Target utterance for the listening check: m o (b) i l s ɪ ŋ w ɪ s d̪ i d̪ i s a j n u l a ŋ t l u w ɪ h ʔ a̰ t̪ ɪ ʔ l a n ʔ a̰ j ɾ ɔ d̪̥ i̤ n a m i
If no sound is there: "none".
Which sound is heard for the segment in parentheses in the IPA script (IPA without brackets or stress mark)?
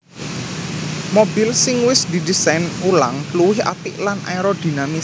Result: b